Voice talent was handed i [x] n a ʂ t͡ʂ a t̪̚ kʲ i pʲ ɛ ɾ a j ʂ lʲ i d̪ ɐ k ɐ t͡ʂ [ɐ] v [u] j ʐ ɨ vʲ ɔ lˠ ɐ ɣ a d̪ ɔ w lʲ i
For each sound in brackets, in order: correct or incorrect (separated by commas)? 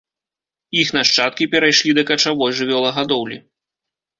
correct, incorrect, incorrect